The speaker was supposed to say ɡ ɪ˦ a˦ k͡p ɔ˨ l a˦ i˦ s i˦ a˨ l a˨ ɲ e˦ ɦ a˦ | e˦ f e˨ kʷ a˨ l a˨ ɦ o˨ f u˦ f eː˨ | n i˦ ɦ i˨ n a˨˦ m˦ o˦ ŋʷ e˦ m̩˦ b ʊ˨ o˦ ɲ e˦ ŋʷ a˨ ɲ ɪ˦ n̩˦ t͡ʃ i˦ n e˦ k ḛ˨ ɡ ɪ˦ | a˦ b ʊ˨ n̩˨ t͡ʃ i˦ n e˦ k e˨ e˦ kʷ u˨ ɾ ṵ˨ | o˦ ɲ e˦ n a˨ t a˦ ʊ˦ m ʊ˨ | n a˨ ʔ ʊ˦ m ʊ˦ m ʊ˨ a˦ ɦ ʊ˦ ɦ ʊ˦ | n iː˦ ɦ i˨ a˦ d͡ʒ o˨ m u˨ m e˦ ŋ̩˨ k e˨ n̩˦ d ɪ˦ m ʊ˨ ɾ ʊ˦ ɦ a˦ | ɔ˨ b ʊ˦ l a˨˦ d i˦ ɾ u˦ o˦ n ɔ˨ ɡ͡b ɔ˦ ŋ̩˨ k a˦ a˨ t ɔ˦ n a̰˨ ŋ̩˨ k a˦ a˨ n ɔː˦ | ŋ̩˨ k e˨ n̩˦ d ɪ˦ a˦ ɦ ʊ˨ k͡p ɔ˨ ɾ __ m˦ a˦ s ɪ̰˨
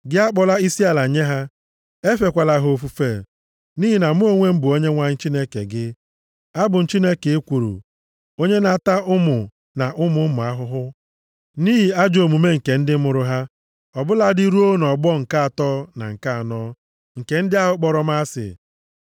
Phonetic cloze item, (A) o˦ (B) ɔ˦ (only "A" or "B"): B